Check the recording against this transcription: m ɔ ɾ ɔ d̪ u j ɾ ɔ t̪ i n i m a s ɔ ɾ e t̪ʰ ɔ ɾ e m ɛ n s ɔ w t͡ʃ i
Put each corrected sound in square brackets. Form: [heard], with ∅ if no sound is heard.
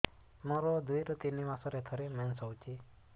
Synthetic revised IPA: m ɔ ɾ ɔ d̪ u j ɾ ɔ t̪ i n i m a s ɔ ɾ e t̪ʰ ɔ ɾ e m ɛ n s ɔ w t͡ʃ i

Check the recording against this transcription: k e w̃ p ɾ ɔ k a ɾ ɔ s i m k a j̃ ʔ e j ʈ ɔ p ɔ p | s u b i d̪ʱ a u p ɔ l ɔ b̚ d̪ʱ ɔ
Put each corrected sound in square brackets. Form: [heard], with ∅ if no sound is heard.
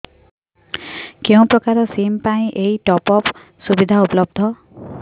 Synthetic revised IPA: k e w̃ p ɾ ɔ k a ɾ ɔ s i m [p] a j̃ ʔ e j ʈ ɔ p ɔ p | s u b i d̪ʱ a u p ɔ l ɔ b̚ d̪ʱ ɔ

